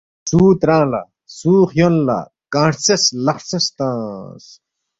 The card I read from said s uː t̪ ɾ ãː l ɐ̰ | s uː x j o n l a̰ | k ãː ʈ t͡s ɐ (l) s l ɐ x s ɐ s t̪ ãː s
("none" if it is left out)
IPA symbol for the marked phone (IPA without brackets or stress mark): none